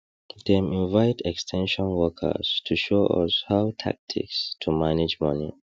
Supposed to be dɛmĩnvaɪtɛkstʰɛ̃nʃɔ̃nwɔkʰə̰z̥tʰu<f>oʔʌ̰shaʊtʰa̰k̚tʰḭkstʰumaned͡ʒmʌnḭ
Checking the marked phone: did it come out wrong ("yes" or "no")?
yes